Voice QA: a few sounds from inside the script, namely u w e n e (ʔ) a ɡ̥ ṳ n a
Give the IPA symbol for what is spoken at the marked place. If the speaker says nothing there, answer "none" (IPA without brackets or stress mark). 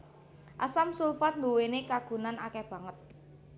k